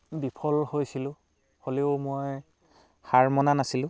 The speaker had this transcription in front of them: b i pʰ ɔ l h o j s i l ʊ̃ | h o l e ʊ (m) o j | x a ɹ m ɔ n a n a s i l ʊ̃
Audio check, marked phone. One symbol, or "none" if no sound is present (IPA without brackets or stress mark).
m